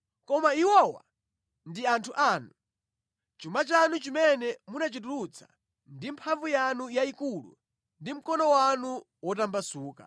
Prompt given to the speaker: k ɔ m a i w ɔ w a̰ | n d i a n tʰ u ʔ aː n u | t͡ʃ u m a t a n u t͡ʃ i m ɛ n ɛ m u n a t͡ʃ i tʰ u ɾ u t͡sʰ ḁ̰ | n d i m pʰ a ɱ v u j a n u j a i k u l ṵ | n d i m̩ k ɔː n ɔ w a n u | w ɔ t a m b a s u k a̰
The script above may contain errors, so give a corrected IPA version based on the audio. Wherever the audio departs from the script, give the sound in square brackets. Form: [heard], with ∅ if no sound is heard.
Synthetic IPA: k ɔ m a i w ɔ w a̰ | n d i a n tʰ u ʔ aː n u | t͡ʃ u m a [t͡ʃ] a n u t͡ʃ i m ɛ n ɛ m u n a t͡ʃ i [t] u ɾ u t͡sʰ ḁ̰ | n d i m pʰ a ɱ v u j a n u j a i k u l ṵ | n d i m̩ k [ɔ] n ɔ w a n u | w ɔ t a m b a s [uː] k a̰